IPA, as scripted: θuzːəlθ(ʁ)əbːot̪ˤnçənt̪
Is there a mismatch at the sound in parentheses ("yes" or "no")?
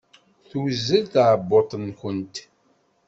yes